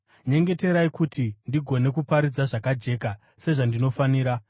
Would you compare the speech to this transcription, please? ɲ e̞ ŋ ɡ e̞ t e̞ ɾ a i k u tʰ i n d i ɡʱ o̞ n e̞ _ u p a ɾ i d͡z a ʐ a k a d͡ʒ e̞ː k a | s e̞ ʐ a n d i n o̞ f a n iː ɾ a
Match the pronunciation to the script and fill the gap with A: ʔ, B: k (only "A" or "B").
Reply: B